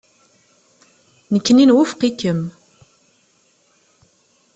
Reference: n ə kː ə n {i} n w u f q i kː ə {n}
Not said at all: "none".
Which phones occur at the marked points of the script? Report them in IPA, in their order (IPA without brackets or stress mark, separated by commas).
i, m